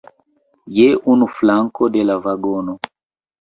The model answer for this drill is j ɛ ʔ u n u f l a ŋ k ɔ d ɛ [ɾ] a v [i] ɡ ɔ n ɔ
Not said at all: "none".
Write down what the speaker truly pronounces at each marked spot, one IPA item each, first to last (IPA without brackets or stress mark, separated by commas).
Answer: l, a